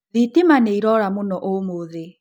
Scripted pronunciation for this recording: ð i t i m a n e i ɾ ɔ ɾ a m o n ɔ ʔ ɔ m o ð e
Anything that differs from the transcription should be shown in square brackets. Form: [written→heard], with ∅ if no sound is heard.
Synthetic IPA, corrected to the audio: ð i t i m a n e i ɾ ɔ ɾ a m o n ɔ ʔ [ɔ→o] m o ð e